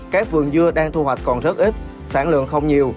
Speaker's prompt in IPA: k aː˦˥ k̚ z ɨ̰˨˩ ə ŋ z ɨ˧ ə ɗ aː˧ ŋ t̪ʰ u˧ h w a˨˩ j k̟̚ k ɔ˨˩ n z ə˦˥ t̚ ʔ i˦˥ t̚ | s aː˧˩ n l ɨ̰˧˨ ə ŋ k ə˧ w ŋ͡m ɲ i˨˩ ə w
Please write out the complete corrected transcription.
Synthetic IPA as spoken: k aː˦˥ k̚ v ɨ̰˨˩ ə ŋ z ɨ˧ ə ɗ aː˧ ŋ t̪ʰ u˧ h w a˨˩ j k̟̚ k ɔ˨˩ n z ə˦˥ t̚ ʔ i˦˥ t̚ | s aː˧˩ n l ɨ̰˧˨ ə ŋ x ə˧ w ŋ͡m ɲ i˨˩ ə w

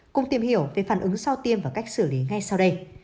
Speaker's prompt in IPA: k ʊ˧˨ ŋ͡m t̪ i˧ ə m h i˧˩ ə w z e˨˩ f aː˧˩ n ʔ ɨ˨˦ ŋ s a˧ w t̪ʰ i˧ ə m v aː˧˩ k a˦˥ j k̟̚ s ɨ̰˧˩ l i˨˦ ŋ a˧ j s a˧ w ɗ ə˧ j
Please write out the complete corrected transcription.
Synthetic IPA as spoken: k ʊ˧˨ ŋ͡m t̪ i˨˩ ə m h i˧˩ ə w v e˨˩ f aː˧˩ n ʔ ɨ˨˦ ŋ s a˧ w t̪ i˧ ə m v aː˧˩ k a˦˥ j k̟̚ s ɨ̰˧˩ l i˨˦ ŋ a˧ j s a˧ w ɗ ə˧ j

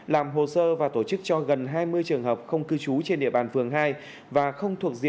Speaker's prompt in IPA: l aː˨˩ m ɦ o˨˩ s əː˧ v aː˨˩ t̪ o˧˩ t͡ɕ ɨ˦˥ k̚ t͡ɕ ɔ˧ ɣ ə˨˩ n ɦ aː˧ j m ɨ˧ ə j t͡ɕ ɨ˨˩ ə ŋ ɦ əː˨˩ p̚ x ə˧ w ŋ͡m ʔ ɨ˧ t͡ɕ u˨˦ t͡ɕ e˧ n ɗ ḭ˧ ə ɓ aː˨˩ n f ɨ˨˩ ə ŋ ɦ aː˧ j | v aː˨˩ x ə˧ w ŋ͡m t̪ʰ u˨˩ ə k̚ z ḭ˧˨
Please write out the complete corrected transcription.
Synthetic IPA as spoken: l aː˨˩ m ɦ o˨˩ s əː˧ v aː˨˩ t̪ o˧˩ t͡ɕ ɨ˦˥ k̚ t͡ɕ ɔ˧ ɣ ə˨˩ n ɦ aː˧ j m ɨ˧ ə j t͡ɕ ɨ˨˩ ə ŋ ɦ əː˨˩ p̚ x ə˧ w ŋ͡m k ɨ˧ t͡ɕ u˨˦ t͡ɕ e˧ n ɗ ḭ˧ ə ɓ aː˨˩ n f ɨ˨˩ ə ŋ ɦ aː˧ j | v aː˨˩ x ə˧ w ŋ͡m t̪ʰ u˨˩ ə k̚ z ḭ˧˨

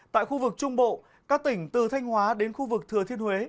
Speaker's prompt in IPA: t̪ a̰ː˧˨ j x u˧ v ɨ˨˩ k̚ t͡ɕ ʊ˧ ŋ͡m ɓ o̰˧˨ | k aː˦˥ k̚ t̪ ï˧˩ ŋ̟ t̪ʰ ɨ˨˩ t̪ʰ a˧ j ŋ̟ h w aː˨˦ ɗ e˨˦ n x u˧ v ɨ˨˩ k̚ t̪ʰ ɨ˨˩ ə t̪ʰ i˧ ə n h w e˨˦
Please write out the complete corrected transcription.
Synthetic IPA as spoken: t̪ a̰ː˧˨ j x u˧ v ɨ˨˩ k̚ t͡ɕ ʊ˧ ŋ͡m ɓ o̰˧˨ | k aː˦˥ k̚ t̪ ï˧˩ ŋ̟ t̪ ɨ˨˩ t̪ʰ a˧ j ŋ̟ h w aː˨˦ ɗ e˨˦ n x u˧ v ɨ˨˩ k̚ t̪ʰ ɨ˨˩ ə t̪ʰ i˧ ə n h w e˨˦

